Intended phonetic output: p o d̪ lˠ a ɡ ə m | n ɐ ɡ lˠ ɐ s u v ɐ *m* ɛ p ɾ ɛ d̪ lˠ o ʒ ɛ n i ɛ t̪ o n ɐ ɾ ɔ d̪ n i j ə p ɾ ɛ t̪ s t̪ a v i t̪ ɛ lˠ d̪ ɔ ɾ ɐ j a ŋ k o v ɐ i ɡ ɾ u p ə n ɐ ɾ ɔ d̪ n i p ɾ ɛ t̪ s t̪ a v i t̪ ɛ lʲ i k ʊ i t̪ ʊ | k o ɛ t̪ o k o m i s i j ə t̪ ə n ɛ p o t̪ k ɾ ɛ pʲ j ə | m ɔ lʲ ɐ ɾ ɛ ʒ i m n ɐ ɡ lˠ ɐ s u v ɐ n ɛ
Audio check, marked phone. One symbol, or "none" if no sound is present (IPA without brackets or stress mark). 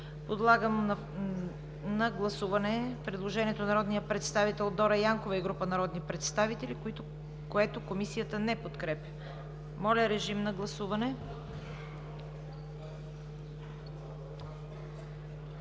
n